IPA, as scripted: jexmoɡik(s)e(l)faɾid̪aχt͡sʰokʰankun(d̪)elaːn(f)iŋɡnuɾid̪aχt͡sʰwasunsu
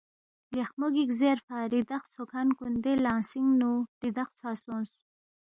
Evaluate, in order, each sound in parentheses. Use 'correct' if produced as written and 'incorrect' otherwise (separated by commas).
incorrect, incorrect, correct, incorrect